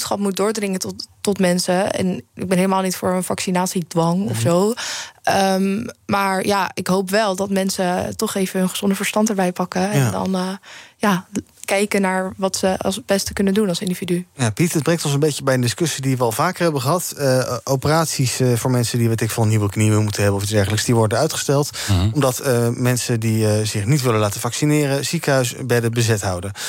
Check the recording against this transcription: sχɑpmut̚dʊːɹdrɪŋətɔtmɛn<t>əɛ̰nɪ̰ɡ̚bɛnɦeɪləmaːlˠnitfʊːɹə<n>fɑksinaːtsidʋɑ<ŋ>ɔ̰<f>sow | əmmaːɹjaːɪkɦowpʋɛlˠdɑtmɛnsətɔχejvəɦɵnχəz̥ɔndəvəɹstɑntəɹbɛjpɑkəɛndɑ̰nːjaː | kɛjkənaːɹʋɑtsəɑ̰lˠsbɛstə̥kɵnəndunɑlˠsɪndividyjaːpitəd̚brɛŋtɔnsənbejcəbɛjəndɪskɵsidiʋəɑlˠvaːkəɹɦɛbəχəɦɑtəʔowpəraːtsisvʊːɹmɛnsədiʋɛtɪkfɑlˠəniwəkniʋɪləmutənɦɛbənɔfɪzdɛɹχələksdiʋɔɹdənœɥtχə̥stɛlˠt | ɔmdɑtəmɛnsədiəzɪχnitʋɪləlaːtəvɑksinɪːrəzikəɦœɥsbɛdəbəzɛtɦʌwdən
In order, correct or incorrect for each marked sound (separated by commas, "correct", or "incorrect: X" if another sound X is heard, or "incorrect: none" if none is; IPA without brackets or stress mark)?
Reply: incorrect: s, correct, correct, correct